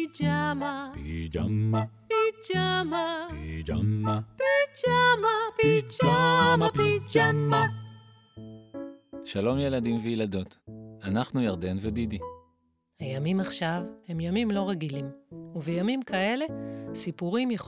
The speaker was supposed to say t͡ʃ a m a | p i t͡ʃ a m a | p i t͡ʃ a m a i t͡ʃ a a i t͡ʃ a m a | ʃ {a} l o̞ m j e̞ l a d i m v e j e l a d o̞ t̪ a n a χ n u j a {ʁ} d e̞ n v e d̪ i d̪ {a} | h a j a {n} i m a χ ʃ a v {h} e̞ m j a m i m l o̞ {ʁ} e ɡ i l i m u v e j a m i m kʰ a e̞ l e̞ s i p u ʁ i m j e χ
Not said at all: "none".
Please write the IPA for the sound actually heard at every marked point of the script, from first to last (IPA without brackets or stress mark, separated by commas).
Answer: a, ʁ, i, m, h, ʁ